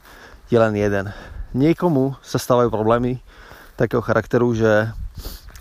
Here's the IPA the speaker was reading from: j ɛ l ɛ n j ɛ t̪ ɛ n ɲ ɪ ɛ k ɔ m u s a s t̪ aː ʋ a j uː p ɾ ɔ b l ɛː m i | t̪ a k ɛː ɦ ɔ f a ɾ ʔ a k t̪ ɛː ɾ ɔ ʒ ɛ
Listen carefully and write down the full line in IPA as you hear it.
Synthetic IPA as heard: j ɛ l ɛ n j ɛ d̪ ɛ n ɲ ɪ ɛ k ɔ m u s a s t̪ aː ʋ a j uː p ɾ ɔ b l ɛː m i | t̪ a k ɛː ɦ ɔ x a ɾ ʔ a k t̪ ɛ ɾ u ʒ ɛ